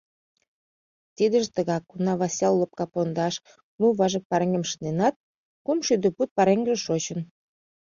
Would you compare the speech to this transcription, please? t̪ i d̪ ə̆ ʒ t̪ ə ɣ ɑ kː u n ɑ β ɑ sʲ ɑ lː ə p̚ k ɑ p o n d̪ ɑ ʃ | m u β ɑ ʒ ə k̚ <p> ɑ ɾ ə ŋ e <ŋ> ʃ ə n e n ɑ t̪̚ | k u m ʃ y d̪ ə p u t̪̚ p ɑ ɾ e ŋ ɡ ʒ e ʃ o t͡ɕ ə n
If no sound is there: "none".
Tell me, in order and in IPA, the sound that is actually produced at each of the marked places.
p, m

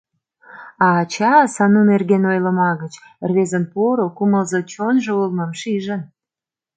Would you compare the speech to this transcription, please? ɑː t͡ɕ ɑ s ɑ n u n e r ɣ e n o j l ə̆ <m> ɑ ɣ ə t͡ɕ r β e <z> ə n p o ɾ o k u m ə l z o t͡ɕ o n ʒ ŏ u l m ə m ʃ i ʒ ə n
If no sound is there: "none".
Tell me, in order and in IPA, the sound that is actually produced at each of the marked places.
m, z

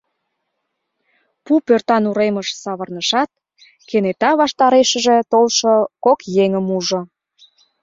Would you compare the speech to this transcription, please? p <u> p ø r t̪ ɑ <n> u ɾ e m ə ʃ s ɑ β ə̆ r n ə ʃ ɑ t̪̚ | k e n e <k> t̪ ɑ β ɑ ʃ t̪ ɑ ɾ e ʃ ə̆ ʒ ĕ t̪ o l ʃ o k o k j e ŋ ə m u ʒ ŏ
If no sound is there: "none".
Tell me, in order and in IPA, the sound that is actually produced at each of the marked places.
u, n, none

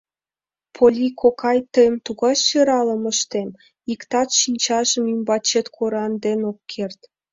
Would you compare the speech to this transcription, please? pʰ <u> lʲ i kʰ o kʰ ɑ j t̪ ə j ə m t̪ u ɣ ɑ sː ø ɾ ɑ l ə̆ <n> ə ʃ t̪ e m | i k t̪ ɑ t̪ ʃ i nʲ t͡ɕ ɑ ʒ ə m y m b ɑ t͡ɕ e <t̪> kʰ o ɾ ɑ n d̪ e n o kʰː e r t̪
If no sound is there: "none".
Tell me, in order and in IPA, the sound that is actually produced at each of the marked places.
o, m, t̪

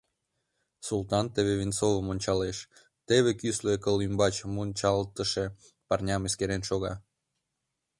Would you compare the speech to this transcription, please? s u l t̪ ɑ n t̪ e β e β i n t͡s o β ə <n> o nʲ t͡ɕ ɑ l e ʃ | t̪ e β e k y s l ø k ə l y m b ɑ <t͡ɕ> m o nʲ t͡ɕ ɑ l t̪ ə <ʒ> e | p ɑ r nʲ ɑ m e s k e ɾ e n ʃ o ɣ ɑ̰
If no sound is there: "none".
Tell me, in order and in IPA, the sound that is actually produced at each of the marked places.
m, t͡ɕ, ʃ

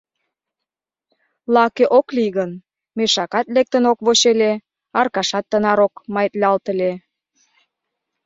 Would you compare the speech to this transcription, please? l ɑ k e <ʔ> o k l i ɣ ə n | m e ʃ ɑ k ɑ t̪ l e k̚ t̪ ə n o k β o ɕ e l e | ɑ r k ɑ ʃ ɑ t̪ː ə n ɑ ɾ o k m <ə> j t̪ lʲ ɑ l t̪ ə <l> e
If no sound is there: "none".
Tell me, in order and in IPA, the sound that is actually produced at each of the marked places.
ʔ, ɑ, l

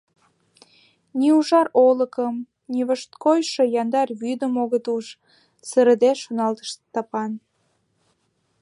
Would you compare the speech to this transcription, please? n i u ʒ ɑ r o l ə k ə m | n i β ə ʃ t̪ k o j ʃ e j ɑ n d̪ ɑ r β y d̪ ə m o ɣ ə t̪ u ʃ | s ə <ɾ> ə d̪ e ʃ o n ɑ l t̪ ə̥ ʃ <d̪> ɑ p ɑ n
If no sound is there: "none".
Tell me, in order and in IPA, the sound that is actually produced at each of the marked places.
ɾ, t̪

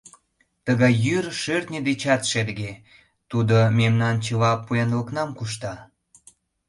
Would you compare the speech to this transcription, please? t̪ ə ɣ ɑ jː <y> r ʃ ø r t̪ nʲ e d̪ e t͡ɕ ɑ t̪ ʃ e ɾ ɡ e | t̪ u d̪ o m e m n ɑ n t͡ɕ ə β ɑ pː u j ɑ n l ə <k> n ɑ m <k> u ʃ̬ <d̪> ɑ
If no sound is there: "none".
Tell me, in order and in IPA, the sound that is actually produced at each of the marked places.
y, k, k, t̪

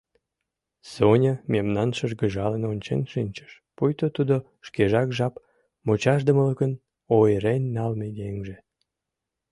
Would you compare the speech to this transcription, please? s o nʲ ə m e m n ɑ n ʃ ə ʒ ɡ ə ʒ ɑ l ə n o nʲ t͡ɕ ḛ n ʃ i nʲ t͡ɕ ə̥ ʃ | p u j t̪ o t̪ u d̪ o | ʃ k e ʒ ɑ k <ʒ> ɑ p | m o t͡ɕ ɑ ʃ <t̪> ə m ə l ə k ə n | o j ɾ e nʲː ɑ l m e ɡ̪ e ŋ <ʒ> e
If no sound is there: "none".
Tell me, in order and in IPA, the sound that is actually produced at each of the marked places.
ʒ, d̪, ʒ

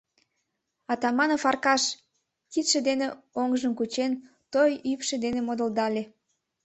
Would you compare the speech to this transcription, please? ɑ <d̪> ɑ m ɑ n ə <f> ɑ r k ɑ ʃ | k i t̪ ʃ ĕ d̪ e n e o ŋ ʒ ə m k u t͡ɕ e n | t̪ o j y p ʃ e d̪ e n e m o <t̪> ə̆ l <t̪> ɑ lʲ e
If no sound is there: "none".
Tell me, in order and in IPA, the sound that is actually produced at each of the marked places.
t̪, f, d̪, d̪

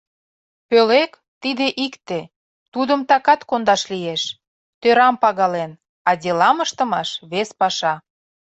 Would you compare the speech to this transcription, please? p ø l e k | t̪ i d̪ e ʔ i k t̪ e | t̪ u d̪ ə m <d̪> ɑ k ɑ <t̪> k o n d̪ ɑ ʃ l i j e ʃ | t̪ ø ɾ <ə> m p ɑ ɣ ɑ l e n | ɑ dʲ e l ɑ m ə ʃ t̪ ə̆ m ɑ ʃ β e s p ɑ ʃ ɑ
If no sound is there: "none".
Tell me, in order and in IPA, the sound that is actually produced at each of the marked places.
t̪, t̪, ɑ

